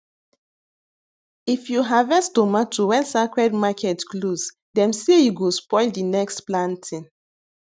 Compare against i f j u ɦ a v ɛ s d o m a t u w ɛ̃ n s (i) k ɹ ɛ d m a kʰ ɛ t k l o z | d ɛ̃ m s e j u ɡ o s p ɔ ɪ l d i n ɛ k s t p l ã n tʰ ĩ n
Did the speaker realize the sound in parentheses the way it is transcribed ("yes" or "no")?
no